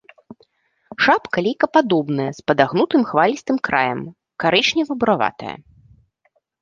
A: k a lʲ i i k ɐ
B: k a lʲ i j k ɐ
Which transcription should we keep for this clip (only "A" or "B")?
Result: B